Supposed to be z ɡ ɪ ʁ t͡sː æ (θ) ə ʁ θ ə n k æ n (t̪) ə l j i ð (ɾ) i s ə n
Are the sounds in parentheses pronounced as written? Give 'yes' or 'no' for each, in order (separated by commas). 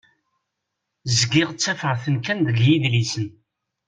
no, no, no